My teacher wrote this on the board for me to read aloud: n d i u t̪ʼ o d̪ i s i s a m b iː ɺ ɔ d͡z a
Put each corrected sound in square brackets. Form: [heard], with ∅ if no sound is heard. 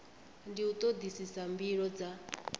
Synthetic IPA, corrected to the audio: n d i u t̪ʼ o d̪ i s i s a m b [i] ɺ ɔ d͡z a